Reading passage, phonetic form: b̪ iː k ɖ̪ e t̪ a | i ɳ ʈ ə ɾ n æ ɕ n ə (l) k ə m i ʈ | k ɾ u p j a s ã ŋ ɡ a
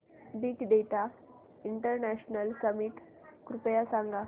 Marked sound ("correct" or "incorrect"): correct